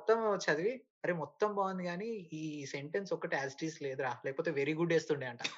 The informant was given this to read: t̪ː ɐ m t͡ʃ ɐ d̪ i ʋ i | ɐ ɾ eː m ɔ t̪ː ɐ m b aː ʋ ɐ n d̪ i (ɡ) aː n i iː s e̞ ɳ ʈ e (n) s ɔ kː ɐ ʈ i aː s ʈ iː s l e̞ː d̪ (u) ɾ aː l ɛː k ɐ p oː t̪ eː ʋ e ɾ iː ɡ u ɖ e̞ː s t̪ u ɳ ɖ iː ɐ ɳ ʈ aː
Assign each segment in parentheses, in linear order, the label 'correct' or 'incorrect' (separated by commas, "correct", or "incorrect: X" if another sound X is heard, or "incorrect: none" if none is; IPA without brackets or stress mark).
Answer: correct, correct, correct